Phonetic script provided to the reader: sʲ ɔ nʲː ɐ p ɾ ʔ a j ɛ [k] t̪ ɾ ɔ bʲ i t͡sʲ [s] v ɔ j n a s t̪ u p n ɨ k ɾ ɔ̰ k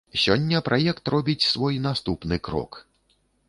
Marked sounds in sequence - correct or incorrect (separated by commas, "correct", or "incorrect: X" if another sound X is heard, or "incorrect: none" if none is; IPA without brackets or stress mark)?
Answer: correct, correct